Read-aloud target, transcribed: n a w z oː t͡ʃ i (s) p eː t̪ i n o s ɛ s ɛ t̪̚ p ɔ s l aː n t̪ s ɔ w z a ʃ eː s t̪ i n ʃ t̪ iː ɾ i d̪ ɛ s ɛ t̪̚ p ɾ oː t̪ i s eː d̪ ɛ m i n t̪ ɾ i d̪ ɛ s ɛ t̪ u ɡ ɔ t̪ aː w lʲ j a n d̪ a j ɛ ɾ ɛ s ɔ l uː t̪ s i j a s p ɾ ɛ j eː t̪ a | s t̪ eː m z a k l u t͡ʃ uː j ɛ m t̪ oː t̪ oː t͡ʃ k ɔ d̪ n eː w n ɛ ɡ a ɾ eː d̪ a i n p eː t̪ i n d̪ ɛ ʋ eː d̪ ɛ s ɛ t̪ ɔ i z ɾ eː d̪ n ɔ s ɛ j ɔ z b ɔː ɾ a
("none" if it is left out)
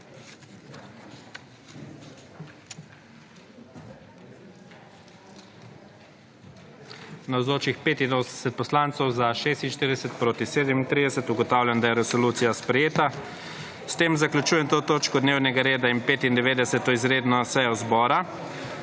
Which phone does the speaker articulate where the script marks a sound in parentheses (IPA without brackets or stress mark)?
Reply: x